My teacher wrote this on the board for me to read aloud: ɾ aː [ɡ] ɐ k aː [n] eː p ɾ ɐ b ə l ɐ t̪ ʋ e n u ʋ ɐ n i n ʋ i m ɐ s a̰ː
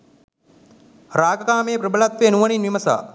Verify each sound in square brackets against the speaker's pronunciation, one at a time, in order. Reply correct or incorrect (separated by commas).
correct, incorrect